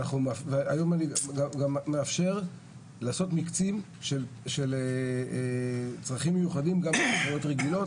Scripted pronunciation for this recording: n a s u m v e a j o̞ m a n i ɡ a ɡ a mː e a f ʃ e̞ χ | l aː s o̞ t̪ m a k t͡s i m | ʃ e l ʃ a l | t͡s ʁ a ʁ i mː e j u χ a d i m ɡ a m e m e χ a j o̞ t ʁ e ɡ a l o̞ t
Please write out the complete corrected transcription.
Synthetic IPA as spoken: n a χ u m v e a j o̞ m a n i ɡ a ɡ a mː e a f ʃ e̞ ʁ | l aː s o̞ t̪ m i k t͡s i m | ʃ e l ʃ e l | t͡s ʁ a χ i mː e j u χ a d i m ɡ a m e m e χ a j o̞ t ʁ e ɡ i l o̞ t